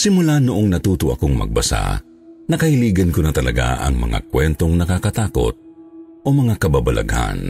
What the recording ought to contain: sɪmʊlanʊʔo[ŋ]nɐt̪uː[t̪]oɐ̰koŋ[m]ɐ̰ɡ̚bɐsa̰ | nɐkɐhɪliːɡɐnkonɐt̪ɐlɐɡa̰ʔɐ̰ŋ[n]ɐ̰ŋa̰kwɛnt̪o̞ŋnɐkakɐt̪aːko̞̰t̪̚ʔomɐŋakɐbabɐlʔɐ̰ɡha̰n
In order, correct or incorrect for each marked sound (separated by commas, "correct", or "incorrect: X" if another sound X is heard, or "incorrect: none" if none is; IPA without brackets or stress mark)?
correct, correct, correct, incorrect: m